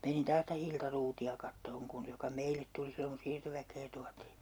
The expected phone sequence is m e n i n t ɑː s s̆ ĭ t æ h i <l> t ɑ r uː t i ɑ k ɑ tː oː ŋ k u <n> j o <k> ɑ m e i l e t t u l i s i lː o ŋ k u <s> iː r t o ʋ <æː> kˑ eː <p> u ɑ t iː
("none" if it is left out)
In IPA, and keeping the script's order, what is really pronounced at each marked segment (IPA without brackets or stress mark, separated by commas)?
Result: l, n, k, s, æ, t